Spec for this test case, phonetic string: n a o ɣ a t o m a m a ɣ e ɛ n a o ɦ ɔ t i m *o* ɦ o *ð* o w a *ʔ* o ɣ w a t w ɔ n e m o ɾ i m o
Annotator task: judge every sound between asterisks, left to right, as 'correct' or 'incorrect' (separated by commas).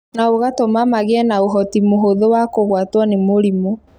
correct, correct, incorrect